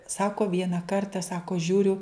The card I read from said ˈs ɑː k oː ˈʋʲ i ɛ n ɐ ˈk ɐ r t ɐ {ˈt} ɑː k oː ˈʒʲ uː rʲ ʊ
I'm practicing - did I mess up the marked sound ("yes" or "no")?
yes